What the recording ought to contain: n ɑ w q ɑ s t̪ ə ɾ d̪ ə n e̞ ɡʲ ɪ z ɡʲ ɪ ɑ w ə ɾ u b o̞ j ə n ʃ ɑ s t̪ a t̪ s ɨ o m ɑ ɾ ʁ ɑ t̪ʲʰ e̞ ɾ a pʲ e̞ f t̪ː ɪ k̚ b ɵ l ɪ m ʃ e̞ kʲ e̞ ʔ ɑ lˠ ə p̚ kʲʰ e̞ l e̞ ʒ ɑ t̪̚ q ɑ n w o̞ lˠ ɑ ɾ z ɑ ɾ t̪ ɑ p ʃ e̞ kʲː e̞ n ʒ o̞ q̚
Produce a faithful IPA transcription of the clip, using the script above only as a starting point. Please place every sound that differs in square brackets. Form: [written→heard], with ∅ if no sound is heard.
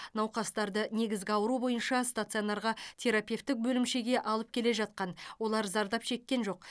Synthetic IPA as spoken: n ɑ w q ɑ s t̪ [ə→ɑ] ɾ d̪ ə n e̞ ɡʲ ɪ z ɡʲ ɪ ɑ w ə ɾ u b o̞ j ə n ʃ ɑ s t̪ a t̪ s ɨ o [m→n] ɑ ɾ ʁ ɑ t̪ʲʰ e̞ ɾ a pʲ e̞ f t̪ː ɪ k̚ b ɵ l ɪ m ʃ e̞ [kʲ→ɡʲ] e̞ ʔ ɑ lˠ ə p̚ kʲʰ e̞ l e̞ ʒ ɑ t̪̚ q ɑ n w o̞ lˠ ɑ ɾ z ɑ ɾ [t̪→d̪] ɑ p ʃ e̞ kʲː e̞ n ʒ o̞ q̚